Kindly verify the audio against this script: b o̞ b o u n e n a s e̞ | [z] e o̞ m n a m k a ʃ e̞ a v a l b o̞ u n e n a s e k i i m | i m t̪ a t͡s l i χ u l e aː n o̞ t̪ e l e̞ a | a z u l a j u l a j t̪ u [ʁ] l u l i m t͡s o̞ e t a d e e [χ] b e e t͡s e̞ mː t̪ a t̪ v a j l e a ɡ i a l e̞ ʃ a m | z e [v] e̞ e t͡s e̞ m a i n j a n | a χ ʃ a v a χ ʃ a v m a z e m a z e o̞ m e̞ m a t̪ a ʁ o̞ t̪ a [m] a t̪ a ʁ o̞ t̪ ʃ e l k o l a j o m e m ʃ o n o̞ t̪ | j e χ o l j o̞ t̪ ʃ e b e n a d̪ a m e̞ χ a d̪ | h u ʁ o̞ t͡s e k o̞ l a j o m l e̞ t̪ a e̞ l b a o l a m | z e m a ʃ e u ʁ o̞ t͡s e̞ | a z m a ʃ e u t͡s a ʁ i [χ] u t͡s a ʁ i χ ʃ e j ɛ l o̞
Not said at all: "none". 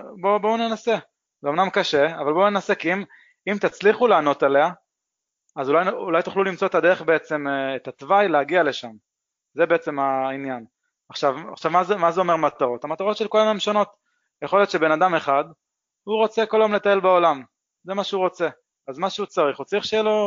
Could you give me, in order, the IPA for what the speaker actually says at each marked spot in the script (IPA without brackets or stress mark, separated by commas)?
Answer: z, χ, χ, b, m, χ